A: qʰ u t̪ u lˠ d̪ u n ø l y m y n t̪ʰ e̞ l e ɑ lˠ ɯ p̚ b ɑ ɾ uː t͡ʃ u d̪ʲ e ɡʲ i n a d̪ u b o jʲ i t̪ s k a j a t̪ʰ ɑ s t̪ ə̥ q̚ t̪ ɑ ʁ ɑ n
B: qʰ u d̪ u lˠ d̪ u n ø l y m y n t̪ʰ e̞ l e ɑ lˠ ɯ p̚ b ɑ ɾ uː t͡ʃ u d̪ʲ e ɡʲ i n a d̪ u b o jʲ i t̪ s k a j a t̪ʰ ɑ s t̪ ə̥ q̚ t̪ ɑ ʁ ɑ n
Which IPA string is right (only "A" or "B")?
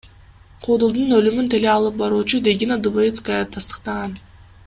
B